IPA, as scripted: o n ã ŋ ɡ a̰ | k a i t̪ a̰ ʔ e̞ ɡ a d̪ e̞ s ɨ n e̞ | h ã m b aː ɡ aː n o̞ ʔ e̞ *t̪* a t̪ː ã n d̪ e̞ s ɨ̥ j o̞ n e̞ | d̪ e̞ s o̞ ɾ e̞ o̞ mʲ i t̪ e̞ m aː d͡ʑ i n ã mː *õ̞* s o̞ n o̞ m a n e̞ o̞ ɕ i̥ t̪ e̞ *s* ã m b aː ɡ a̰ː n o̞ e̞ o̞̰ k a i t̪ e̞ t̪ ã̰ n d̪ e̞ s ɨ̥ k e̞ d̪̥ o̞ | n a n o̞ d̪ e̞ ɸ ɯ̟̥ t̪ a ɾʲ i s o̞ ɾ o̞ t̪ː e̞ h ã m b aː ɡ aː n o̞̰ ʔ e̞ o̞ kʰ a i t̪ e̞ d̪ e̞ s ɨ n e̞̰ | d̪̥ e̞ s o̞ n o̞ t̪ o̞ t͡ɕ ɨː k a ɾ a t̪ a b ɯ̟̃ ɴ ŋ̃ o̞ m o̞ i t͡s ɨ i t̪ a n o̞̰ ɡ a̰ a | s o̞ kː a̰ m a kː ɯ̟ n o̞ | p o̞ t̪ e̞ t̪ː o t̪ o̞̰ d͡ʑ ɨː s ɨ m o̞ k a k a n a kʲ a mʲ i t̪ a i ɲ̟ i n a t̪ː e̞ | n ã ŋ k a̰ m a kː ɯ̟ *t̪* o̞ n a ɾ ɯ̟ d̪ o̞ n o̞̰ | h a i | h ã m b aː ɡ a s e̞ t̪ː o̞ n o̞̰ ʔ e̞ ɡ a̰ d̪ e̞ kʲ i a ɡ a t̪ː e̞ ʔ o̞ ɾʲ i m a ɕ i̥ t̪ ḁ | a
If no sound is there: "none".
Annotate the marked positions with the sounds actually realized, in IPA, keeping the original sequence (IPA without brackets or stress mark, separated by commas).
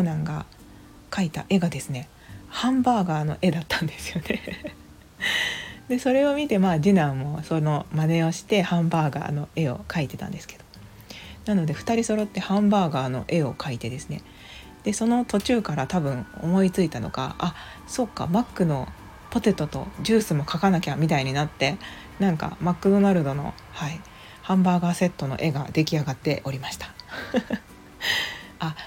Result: d̪, o̞, h, d̪